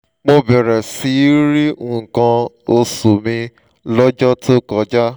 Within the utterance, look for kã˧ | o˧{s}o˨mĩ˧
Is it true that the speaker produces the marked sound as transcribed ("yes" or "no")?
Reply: yes